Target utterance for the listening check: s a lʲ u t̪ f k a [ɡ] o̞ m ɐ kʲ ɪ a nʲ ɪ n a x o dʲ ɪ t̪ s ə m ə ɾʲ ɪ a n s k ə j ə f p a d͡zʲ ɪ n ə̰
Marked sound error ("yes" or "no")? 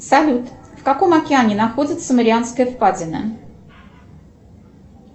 yes